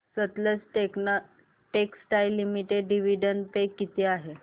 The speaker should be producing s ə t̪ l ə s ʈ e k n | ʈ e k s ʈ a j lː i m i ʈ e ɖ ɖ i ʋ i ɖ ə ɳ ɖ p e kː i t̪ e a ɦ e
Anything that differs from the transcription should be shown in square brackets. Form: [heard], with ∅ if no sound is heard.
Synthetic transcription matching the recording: s ə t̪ l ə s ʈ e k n | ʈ e k s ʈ a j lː i m i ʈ e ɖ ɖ i ʋ i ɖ ə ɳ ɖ p e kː i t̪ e a ɦ e